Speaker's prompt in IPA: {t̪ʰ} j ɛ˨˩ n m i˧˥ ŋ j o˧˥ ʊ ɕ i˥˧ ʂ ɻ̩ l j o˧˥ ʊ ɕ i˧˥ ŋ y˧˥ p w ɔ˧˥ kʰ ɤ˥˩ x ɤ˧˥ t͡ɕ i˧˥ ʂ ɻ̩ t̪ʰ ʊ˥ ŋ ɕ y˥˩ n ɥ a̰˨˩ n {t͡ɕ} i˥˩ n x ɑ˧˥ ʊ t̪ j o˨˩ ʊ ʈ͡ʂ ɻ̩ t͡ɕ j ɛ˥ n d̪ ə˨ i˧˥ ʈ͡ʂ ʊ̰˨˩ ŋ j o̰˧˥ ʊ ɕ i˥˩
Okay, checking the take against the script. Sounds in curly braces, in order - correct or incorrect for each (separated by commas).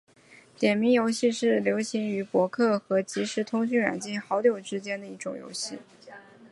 incorrect, correct